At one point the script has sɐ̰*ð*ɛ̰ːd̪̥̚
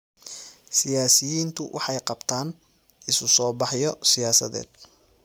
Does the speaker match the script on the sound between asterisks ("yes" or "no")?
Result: yes